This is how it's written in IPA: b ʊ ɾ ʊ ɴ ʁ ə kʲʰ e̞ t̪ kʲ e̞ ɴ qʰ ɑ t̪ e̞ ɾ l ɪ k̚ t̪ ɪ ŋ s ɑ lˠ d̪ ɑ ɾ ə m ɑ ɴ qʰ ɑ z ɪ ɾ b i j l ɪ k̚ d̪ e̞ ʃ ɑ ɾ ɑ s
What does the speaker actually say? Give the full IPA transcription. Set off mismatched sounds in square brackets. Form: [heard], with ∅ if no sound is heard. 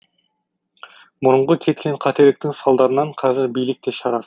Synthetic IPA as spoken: [m] ʊ ɾ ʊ ɴ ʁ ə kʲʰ e̞ t̪ kʲ e̞ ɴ qʰ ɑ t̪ e̞ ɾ l ɪ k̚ t̪ ɪ ŋ s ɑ lˠ d̪ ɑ ɾ ə [n] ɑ ɴ qʰ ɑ z ɪ ɾ b i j l ɪ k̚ [t̪] e̞ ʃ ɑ ɾ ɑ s